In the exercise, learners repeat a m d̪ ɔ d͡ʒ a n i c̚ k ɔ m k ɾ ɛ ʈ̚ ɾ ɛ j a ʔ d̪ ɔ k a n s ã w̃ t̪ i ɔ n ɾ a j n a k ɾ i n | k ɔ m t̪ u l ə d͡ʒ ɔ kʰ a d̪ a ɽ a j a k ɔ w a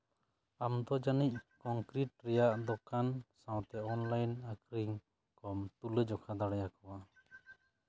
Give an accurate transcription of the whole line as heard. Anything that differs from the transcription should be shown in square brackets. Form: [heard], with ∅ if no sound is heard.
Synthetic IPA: a m d̪ ɔ d͡ʒ a n i c̚ k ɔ [ŋ] k ɾ [i] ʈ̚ ɾ ɛ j a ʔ d̪ ɔ k a n s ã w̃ t̪ [ɛ] ɔ n [l] a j n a k ɾ i [ŋ] | k ɔ m t̪ u l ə d͡ʒ ɔ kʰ a d̪ a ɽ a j a k ɔ w a